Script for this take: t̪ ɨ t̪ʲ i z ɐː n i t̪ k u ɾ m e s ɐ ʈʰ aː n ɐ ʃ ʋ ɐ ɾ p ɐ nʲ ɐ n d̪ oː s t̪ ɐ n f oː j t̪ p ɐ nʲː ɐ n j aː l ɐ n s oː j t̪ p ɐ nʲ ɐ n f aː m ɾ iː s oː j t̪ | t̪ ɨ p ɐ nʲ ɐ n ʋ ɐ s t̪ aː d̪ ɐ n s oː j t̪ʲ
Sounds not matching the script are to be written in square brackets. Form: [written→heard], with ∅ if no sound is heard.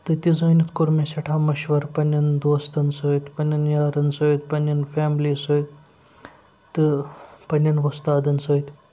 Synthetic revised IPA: t̪ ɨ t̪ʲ i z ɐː n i t̪ k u ɾ m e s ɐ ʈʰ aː [n→m] ɐ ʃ ʋ ɐ ɾ p ɐ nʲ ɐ n d̪ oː s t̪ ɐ n [f→s] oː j t̪ p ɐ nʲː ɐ n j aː [l→ɾ] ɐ n s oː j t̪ p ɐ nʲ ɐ n f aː m [ɾ→l] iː s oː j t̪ | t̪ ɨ p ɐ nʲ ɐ n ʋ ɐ s t̪ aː d̪ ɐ n s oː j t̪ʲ